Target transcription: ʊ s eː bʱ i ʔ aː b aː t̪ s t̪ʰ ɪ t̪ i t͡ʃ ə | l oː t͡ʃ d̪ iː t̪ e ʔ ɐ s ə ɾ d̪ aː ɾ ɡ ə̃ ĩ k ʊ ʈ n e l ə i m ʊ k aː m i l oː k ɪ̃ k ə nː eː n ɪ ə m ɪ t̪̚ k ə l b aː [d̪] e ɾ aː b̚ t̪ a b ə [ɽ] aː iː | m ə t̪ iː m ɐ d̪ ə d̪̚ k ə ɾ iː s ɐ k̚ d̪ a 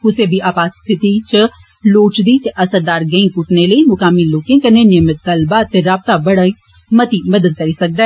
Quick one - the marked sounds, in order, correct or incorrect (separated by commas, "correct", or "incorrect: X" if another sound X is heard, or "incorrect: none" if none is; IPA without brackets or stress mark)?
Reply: incorrect: t̪, correct